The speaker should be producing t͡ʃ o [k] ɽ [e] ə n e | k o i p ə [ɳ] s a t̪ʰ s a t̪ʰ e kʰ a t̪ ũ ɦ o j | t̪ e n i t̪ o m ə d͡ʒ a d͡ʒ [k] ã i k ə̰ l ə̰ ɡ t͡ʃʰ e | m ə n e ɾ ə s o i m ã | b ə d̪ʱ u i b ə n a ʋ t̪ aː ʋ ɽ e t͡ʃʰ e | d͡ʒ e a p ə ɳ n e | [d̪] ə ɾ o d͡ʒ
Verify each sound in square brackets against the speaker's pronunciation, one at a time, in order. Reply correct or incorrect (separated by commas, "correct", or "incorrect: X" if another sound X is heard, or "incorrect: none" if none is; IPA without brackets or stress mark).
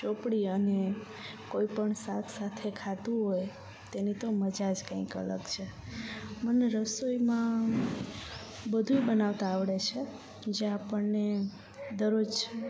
incorrect: p, incorrect: i, correct, correct, correct